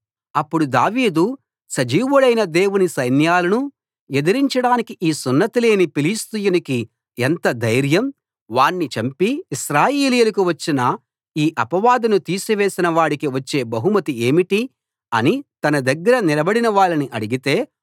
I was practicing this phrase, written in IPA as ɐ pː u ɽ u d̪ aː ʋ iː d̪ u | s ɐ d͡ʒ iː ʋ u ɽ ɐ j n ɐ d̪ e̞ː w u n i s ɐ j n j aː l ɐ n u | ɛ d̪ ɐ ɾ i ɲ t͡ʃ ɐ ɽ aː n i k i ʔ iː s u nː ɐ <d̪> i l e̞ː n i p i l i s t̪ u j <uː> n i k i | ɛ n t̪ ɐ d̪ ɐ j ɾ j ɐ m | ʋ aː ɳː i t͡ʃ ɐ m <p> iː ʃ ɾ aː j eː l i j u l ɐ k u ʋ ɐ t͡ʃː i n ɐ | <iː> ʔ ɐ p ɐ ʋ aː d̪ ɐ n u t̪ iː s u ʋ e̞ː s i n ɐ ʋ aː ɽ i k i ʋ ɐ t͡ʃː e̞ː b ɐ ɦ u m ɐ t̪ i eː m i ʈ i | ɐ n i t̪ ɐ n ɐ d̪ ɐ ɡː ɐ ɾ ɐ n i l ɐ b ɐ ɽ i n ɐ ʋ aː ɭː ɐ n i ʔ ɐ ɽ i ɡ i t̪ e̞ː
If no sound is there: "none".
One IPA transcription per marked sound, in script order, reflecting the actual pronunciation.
t̪, u, p, iː

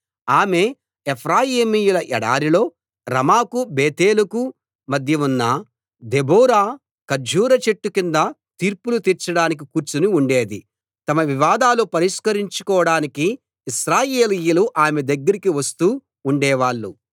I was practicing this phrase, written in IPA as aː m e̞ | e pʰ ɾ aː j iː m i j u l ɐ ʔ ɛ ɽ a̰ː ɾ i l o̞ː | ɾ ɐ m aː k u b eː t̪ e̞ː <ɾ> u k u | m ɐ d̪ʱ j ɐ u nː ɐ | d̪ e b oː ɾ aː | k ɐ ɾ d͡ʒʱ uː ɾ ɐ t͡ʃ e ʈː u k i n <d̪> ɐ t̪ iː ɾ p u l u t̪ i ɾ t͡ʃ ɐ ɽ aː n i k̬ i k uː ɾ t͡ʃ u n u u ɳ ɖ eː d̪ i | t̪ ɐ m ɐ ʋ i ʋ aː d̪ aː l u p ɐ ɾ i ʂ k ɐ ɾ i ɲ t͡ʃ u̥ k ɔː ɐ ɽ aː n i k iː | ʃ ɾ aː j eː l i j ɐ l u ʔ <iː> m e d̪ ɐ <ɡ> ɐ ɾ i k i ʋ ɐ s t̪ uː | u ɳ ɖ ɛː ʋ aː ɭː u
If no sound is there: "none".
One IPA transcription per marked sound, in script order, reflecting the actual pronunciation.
l, d̪, aː, ɡː

